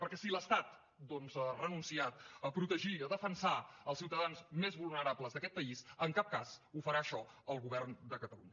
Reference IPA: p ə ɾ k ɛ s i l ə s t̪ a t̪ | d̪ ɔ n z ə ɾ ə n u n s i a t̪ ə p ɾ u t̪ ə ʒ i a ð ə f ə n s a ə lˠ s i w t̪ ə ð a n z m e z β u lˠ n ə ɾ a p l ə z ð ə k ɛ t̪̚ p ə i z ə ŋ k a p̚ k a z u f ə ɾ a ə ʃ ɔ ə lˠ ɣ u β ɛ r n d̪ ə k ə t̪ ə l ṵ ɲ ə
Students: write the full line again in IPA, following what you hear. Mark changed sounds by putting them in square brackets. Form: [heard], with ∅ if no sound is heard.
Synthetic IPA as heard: p ə ɾ k ɛ s i l ə s t̪ a t̪ | d̪ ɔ n z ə [r] ə n u n s i a t̪ ə p ɾ u t̪ ə ʒ i [ə] ð ə f ə n s a ə lˠ s i w t̪ ə ð a n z m e z β u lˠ n ə ɾ a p l ə z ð ə k ɛ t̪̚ p ə i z ə ŋ k a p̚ k a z u f ə ɾ a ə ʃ ɔ ə lˠ ɣ u β ɛ r n d̪ ə k ə t̪ ə l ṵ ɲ ə